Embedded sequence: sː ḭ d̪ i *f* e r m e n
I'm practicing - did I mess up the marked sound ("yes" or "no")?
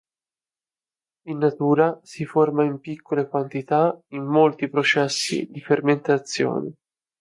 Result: no